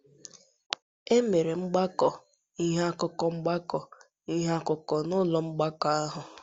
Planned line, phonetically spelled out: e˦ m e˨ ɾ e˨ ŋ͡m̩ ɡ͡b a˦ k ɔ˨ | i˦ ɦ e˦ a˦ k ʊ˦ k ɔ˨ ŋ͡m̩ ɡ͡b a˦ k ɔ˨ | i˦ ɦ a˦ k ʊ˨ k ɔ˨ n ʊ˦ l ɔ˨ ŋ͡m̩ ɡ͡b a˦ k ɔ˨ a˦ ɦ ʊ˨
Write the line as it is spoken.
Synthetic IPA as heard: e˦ m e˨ ɾ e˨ ŋ͡m̩ ɡ͡b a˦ k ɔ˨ | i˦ ɦ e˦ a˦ k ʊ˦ k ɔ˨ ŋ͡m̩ ɡ͡b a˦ k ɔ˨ | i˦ ɦ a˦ k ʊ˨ k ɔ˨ n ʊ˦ l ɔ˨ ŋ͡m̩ ɡ͡b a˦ k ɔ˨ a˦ ɦ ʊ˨